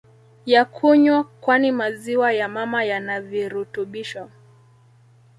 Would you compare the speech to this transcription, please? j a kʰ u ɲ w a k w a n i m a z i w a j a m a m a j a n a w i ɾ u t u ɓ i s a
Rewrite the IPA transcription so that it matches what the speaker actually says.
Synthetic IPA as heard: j a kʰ u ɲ w a k w a n i m a z i w a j a m a m a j a n a v i ɾ u t u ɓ i ʃ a